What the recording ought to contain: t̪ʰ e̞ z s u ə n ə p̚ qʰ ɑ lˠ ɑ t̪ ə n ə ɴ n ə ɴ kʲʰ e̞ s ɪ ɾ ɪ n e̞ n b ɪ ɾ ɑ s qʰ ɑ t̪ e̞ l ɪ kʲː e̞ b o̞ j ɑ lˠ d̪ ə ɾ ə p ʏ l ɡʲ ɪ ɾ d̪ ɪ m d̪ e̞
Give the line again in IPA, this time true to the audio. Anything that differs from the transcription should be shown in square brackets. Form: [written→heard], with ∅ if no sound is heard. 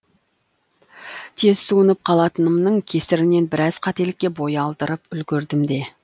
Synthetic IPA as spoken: t̪ʰ e̞ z s u ə n ə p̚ qʰ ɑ lˠ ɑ t̪ ə n ə [ɴ→m] n ə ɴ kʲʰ e̞ s ɪ ɾ ɪ n e̞ n b ɪ ɾ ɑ [s→z] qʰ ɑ t̪ e̞ l ɪ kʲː e̞ b o̞ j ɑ lˠ d̪ ə ɾ ə p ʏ l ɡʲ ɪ ɾ d̪ ɪ m d̪ e̞